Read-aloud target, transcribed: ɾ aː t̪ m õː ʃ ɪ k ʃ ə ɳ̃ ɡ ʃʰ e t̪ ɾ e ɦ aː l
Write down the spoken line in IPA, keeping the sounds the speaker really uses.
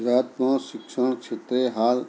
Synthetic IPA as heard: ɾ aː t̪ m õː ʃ ɪ k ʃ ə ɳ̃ k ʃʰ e t̪ ɾ e ɦ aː l